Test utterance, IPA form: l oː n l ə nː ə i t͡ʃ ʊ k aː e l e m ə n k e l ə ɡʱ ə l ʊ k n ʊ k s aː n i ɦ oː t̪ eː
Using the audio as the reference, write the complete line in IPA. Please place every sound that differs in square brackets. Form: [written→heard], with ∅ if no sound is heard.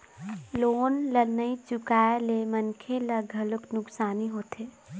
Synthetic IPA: l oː n l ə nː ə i t͡ʃ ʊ k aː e l e m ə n [k→kʰ] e l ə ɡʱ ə l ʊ k n ʊ k s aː n i ɦ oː t̪ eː